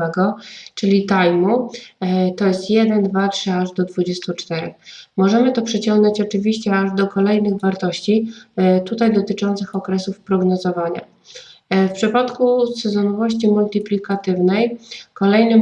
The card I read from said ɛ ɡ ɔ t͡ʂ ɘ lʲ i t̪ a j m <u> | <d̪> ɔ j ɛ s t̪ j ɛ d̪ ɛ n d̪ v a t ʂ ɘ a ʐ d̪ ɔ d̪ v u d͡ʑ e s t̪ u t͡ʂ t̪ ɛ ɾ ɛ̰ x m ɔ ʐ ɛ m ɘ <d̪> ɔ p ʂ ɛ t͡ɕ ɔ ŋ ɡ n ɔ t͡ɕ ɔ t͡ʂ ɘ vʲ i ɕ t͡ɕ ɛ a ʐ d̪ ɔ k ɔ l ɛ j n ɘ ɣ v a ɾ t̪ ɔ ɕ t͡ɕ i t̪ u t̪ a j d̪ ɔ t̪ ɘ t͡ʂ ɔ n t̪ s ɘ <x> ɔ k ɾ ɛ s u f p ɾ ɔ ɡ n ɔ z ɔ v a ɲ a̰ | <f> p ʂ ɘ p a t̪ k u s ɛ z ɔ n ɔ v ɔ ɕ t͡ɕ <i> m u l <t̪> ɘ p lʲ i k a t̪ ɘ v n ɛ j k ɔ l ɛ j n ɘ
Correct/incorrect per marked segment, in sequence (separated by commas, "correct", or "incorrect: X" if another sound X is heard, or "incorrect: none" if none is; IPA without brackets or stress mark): correct, incorrect: t̪, incorrect: t̪, correct, correct, correct, correct